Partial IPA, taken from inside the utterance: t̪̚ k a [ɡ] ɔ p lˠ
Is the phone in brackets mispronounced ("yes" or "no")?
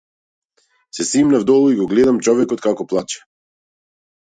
yes